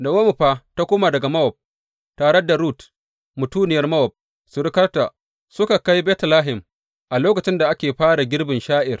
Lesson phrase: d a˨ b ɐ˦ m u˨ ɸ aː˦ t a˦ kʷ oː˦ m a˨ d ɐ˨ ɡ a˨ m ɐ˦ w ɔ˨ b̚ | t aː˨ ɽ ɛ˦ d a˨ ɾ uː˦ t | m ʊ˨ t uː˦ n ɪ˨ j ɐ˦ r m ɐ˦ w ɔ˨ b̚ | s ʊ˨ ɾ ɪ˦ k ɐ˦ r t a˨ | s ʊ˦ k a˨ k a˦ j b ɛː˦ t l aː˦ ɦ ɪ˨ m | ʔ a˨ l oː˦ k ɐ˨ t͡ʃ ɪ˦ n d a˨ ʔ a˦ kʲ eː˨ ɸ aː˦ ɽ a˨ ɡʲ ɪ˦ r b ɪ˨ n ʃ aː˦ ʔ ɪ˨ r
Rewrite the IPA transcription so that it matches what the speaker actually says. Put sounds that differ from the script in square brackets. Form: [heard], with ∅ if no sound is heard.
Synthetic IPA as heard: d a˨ [w] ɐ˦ m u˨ ɸ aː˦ t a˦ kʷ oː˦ m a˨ d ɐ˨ ɡ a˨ m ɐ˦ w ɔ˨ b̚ | t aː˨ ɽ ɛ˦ d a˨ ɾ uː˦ t | m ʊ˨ t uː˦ n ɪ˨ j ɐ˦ r m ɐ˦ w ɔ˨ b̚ | s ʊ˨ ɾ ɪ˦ k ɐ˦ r t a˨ | s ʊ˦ k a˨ k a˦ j b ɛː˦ t l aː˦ ɦ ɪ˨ m | ʔ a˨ l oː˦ k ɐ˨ t͡ʃ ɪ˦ n d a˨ ʔ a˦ kʲ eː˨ ɸ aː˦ ɽ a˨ ɡʲ ɪ˦ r b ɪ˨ n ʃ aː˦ ʔ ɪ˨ r